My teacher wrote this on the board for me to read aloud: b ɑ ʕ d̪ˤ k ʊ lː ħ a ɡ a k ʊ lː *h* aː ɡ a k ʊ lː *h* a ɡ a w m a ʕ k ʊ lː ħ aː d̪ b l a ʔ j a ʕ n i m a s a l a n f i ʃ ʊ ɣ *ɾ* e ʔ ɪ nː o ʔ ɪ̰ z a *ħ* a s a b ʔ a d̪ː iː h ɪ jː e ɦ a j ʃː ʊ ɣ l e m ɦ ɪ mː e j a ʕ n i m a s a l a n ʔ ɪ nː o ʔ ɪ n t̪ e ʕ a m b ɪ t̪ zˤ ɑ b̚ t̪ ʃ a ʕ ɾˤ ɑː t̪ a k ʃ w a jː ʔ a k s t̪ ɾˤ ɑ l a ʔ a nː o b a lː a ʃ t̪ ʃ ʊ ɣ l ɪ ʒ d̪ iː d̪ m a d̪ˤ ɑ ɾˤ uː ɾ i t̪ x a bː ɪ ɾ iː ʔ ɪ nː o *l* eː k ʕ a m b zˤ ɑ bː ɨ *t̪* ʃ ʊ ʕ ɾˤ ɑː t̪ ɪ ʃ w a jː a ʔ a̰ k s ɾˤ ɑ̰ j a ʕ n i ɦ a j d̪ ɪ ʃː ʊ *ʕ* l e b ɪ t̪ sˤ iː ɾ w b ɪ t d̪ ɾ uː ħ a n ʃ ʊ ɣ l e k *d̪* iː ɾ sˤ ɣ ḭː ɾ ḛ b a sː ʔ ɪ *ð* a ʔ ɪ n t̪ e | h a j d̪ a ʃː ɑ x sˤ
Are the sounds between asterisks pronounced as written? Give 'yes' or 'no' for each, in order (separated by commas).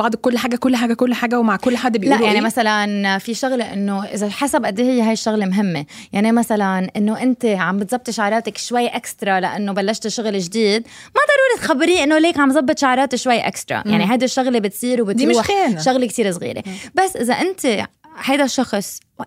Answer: no, no, no, yes, yes, yes, no, no, no